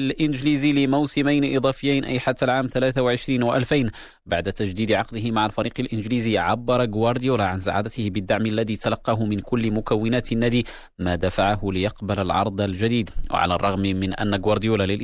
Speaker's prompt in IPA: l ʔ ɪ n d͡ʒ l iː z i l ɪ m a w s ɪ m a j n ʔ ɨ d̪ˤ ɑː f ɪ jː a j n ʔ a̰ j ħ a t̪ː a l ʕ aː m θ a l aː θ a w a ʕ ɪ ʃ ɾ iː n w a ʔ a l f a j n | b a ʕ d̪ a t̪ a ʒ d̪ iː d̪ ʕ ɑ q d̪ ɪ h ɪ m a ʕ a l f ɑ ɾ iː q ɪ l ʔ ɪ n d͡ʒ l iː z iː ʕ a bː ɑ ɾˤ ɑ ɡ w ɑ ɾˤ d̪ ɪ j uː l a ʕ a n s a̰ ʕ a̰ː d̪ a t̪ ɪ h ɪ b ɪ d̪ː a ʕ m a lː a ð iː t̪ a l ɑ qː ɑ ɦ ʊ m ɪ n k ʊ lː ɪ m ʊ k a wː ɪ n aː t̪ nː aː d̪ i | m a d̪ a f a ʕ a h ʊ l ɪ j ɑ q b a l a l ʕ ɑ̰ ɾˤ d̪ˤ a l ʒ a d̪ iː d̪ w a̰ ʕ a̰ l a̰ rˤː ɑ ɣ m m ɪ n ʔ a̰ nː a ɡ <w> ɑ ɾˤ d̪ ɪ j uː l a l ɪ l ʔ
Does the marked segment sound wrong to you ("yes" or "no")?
no